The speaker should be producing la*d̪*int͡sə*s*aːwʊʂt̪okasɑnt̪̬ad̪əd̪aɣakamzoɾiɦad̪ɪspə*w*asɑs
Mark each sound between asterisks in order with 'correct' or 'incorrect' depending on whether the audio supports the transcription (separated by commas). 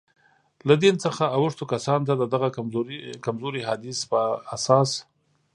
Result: correct, incorrect, incorrect